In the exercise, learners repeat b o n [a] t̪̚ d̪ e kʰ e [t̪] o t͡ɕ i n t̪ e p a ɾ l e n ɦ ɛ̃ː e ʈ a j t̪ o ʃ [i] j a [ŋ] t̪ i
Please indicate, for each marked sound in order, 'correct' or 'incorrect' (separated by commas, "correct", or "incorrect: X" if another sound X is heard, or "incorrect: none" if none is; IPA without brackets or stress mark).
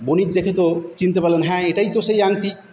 incorrect: i, correct, incorrect: e, correct